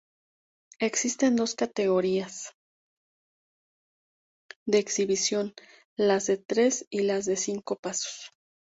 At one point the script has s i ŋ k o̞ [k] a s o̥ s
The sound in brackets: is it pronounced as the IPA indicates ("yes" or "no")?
no